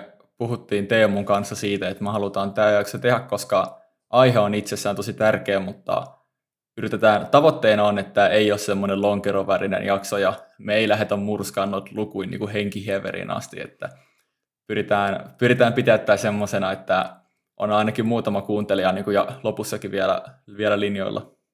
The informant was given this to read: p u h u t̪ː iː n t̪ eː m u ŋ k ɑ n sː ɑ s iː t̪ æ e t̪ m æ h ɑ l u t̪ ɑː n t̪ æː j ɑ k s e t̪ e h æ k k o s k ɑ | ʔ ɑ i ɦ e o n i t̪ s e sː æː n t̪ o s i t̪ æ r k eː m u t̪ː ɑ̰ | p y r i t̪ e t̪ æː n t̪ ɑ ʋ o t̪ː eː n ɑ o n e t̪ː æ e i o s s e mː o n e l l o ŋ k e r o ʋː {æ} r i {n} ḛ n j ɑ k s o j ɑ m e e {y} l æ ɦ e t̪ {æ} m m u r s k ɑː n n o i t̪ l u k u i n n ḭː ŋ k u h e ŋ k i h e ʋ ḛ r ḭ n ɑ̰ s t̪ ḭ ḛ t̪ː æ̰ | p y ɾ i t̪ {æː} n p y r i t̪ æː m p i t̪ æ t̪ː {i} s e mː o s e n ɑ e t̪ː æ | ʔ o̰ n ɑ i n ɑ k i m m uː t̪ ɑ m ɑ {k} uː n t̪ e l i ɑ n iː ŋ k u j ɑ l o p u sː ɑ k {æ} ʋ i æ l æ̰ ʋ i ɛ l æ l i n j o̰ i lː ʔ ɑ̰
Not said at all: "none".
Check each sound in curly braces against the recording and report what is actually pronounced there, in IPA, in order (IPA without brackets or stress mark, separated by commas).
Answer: æ, n, i, æ, æː, æ, k, i